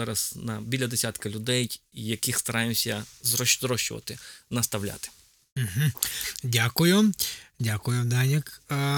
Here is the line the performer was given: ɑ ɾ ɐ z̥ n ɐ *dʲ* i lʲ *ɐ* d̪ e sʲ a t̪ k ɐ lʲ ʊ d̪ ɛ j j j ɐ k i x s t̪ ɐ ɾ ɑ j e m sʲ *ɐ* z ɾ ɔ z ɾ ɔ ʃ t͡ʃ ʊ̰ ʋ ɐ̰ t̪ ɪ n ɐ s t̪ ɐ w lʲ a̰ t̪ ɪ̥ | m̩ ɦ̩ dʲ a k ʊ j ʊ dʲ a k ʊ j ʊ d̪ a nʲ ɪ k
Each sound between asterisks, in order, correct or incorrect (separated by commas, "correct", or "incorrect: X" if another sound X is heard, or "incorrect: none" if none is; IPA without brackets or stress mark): incorrect: bʲ, correct, correct